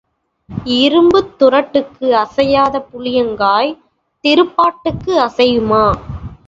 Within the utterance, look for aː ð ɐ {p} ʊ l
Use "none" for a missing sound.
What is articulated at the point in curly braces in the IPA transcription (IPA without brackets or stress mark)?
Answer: p